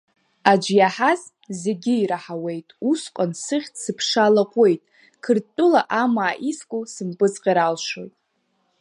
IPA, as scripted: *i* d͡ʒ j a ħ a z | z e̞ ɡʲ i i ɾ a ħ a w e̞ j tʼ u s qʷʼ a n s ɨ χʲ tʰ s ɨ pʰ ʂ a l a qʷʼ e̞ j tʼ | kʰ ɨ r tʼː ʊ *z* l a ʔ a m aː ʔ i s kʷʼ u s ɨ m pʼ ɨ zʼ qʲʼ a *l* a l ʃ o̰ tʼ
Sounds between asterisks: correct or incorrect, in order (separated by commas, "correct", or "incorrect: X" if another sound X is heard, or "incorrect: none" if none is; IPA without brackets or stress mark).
incorrect: a, incorrect: none, incorrect: ɾ